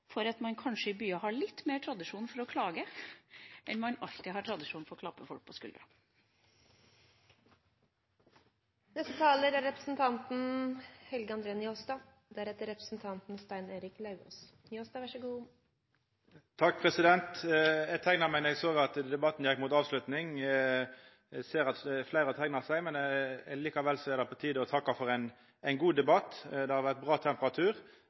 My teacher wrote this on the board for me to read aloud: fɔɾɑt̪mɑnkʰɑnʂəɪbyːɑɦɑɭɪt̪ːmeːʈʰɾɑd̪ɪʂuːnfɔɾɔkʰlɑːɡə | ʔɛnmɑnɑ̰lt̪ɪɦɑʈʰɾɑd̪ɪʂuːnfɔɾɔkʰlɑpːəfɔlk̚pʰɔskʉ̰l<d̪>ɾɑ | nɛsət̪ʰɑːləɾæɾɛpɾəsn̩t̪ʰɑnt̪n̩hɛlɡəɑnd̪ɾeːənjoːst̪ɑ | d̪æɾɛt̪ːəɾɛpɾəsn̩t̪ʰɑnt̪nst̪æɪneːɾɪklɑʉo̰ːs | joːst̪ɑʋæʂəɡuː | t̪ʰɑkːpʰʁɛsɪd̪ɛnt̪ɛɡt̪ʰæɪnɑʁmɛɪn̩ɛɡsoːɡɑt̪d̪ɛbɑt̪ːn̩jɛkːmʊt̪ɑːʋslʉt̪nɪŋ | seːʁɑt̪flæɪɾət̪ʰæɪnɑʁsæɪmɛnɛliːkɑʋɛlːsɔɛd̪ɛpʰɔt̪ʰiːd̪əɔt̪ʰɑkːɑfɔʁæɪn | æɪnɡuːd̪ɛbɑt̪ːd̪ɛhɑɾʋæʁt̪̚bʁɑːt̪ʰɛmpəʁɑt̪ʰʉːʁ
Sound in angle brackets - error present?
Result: no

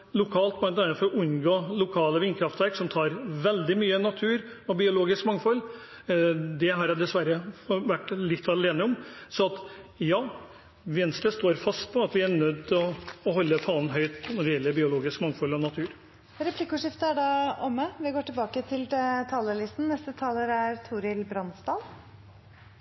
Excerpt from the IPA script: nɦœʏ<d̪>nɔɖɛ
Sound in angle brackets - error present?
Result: yes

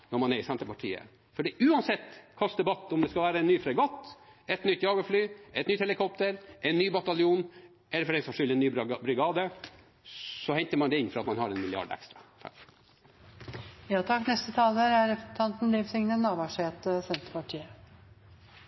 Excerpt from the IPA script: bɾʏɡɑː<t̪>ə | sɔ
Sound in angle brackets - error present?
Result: yes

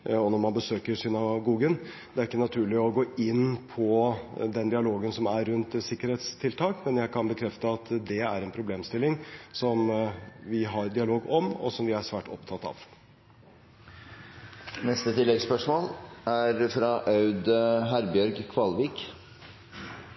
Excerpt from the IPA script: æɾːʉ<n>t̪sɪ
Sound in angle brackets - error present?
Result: no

